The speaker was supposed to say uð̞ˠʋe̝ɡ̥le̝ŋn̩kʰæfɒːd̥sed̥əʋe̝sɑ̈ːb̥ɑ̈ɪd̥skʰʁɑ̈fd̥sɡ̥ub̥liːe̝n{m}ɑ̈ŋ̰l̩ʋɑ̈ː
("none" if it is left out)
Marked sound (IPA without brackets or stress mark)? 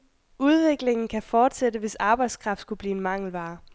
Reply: m